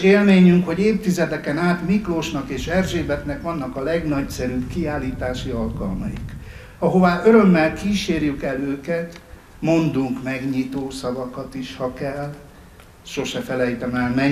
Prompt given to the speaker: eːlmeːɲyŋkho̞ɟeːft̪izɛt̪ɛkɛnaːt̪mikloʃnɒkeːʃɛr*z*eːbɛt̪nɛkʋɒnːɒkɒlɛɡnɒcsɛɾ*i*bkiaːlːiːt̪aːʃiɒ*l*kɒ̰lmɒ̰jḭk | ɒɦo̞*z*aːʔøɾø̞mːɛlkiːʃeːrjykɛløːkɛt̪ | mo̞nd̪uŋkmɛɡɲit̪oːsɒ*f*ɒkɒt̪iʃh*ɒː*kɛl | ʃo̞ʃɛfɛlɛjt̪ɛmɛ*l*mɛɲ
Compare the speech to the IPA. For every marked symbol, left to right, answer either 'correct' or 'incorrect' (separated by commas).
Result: incorrect, incorrect, correct, incorrect, incorrect, incorrect, correct